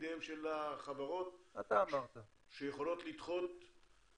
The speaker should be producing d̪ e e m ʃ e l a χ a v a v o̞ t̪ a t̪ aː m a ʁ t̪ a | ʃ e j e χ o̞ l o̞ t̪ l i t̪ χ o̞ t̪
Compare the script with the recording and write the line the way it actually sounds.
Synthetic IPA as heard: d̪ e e m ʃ e l a χ a v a ʁ o̞ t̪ a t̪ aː m a ʁ t̪ a | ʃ e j e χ o̞ l o̞ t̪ l i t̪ χ o̞ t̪